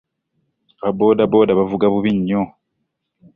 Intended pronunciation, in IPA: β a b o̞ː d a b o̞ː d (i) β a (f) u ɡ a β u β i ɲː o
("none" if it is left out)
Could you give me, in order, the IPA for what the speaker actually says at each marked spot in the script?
a, v

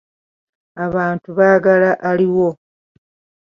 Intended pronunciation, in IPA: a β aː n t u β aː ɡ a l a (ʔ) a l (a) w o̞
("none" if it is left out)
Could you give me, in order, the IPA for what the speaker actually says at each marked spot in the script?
ʔ, i

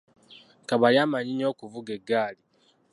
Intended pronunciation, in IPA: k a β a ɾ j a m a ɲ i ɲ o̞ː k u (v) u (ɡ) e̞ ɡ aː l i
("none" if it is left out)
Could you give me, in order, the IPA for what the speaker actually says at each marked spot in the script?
v, ɡ

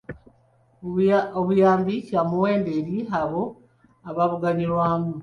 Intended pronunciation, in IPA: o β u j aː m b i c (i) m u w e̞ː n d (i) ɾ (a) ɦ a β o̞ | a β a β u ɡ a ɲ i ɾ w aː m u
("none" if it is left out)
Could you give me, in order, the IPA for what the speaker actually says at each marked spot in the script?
a, e, i

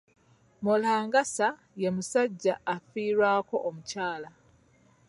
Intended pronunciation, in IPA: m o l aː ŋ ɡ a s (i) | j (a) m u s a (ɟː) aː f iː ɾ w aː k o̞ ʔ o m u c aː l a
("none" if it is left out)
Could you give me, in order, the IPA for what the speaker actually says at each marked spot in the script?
a, e, ɟː

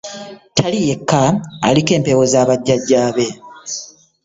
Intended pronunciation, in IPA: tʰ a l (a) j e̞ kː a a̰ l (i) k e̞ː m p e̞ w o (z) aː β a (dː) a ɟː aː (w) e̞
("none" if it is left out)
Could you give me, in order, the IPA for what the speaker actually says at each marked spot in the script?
i, i, z, ɟː, β

